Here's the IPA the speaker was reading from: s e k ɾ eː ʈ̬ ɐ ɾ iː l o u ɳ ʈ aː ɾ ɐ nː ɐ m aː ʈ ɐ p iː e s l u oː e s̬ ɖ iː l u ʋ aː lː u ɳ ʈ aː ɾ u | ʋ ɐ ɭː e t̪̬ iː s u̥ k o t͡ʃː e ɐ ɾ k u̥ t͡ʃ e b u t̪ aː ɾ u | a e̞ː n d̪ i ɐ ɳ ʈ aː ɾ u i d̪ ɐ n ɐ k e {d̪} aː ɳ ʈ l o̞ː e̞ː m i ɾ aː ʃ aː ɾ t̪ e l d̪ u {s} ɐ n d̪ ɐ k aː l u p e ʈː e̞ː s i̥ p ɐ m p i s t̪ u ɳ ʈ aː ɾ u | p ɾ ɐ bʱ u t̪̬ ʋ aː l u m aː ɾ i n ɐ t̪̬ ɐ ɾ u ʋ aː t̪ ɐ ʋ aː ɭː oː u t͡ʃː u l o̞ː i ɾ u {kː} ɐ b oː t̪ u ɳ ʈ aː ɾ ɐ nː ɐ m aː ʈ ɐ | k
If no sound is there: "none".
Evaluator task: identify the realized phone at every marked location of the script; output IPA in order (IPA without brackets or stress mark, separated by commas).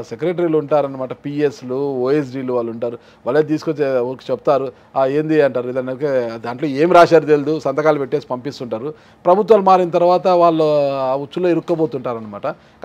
d̪, s, kː